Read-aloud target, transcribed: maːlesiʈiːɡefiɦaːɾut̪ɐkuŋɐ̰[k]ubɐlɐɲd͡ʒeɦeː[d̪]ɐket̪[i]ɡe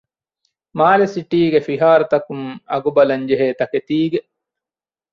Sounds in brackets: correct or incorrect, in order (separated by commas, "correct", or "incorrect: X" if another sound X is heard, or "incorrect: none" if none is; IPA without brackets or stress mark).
incorrect: ɡ, incorrect: t̪, incorrect: iː